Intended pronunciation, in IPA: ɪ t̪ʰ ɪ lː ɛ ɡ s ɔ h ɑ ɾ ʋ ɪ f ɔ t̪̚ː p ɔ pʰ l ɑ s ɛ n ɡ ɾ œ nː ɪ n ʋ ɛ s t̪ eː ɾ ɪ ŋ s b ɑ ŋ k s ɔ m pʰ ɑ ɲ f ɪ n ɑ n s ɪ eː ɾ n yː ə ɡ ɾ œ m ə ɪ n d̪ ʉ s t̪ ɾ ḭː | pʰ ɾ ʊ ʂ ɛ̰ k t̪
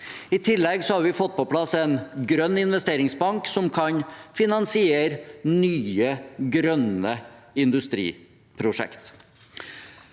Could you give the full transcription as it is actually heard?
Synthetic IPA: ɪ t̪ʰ ɪ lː ɛ ɡ s ɔ h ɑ ɾ ʋ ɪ f ɔ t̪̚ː p ɔ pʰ l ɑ s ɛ n ɡ ɾ œ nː ɪ n ʋ ɛ s t̪ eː ɾ ɪ ŋ s b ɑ ŋ k s ɔ m kʰ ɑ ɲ f ɪ n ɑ n s ɪ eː ɾ n yː ə ɡ ɾ œ n ə ɪ n d̪ ʉ s t̪ ɾ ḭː | pʰ ɾ ʊ ʂ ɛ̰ k t̪